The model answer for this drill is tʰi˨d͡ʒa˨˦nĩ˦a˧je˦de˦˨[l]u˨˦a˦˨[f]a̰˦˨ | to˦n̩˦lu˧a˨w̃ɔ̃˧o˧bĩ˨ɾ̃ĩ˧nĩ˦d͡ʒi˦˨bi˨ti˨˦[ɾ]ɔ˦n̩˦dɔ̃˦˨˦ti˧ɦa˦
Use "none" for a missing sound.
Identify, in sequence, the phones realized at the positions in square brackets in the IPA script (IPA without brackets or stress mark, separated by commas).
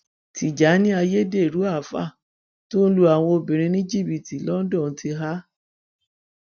ɾ, f, l